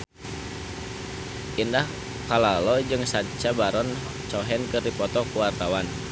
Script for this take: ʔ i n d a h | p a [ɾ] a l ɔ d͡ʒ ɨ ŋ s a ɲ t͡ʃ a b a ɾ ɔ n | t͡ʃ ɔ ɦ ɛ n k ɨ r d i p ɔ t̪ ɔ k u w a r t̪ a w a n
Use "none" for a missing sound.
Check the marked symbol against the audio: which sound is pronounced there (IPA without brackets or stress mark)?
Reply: l